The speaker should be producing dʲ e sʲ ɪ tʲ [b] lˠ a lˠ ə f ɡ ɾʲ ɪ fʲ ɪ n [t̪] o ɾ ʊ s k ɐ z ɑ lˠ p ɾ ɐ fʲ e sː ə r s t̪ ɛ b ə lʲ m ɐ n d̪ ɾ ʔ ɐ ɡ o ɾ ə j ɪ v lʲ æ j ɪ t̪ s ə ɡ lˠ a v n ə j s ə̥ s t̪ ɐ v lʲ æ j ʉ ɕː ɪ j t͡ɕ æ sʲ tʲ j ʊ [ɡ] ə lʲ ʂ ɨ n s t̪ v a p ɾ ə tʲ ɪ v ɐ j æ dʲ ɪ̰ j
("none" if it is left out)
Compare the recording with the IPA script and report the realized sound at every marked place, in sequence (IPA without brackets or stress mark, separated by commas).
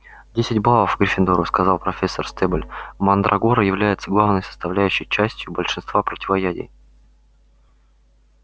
b, d̪, b